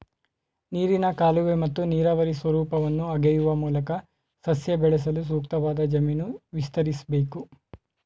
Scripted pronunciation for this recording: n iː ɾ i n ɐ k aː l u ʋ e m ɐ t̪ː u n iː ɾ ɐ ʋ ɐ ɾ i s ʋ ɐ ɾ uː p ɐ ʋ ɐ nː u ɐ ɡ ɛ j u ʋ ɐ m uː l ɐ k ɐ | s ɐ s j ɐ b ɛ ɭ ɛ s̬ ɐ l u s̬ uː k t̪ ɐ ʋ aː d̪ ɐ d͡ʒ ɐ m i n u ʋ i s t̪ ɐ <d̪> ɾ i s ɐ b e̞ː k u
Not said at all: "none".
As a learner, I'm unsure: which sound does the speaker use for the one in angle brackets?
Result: none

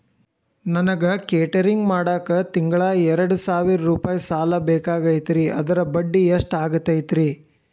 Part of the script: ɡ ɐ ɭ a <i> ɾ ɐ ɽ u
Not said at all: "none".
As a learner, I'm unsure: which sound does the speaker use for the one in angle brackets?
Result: ɛ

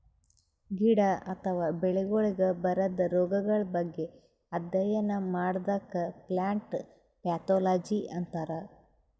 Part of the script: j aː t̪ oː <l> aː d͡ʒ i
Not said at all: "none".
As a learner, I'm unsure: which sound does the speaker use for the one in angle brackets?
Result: l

